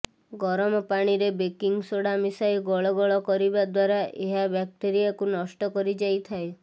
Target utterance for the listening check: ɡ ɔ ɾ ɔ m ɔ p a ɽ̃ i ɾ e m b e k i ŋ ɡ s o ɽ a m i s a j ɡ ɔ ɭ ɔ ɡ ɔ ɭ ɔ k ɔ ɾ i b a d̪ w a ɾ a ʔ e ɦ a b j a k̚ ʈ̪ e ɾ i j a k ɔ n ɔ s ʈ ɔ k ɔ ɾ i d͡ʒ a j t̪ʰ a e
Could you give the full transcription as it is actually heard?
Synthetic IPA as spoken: ɡ ɔ ɾ ɔ m ɔ p a ɽ̃ i ɾ e b e k i ŋ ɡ s o ɽ a m i s a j ɡ ɔ ɭ ɔ ɡ ɔ ɭ ɔ k ɔ ɾ i b a d̪ w a ɾ a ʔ e ɦ a b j a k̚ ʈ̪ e ɾ i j a k u n ɔ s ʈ ɔ k ɔ ɾ i d͡ʒ a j t̪ʰ a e

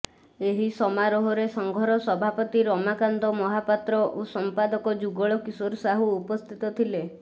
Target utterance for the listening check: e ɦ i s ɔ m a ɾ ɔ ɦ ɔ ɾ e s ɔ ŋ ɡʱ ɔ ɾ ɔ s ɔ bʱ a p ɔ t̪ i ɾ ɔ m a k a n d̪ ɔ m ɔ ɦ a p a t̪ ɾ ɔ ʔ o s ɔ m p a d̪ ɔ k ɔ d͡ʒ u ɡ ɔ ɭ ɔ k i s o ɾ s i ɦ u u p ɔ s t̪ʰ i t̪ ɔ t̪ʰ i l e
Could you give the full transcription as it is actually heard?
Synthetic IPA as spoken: e ɦ i s ɔ m a ɾ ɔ ɦ ɔ ɾ e s ɔ ŋ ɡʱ ɔ ɾ ɔ s ɔ bʱ a p ɔ t̪ i ɾ ɔ m a k a n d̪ ɔ m ɔ ɦ a p a t̪ ɾ ɔ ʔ o s ɔ m p a d̪ ɔ k ɔ d͡ʒ u ɡ ɔ ɭ ɔ k i s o ɾ s a ɦ u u p ɔ s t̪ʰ i t̪ ɔ t̪ʰ i l e

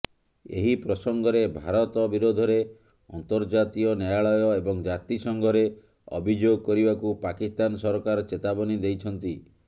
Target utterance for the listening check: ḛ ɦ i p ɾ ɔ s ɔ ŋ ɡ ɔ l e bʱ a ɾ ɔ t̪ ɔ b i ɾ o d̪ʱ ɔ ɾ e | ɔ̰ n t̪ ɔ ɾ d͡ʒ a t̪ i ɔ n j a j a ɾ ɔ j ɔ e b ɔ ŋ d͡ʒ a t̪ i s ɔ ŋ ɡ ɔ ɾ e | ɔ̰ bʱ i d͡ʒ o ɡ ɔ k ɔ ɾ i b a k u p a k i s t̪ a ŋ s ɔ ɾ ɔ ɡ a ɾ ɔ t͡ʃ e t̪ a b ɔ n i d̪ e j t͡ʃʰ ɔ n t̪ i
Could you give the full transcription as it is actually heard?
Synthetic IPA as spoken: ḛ ɦ i p ɾ ɔ s ɔ ŋ ɡ ɔ ɾ e bʱ a ɾ ɔ t̪ ɔ b i ɾ o d̪ʱ ɔ ɾ e | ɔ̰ n t̪ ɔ ɾ d͡ʒ a t̪ i ɔ n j a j a ɭ ɔ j ɔ e b ɔ ŋ d͡ʒ a t̪ i s ɔ ŋ ɡ ɔ ɾ e | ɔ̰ bʱ i d͡ʒ o ɡ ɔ k ɔ ɾ i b a k u p a k i s t̪ a n s ɔ ɾ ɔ k a ɾ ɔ t͡ʃ e t̪ a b ɔ n i d̪ e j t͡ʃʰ ɔ n t̪ i

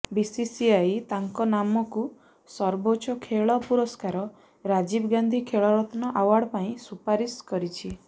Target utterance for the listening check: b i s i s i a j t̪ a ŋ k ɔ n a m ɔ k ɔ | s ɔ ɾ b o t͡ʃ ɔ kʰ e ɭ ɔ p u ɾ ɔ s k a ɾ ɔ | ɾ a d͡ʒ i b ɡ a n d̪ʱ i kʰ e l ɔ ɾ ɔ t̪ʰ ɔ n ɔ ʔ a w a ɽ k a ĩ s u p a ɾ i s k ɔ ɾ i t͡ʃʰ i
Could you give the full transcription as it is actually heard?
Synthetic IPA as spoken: b i s i s i a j t̪ a ŋ k ɔ n a m ɔ k u | s ɔ ɾ b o t͡ʃ ɔ kʰ e ɭ ɔ p u ɾ ɔ s k a ɾ ɔ | ɾ a d͡ʒ i b ɡ a n d̪ʱ i kʰ e ɭ ɔ ɾ ɔ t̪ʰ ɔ n ɔ ʔ a w a ɽ p a ĩ s u p a ɾ i s k ɔ ɾ i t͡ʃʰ i

